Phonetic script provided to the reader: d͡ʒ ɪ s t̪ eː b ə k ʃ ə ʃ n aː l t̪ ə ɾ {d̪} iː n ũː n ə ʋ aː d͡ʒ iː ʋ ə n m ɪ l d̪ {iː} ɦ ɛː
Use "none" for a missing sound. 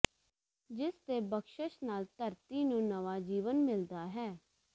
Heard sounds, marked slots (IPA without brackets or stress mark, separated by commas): t̪, aː